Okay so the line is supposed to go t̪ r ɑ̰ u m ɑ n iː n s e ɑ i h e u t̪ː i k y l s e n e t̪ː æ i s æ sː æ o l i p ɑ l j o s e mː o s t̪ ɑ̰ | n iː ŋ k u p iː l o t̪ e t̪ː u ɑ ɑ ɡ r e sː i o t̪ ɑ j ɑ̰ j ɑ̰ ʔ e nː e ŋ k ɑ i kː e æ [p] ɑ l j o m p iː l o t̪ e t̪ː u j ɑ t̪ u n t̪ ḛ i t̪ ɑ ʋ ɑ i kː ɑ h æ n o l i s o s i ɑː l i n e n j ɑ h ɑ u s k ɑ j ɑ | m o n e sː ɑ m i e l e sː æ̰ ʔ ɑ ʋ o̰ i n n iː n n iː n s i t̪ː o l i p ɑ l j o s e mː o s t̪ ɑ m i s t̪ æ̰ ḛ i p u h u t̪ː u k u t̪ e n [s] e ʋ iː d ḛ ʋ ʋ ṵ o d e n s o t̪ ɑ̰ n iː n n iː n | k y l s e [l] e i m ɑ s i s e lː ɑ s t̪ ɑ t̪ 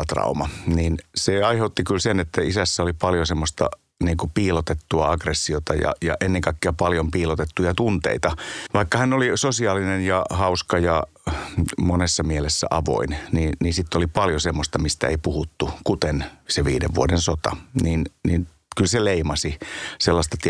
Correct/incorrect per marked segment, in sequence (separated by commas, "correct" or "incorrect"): correct, correct, correct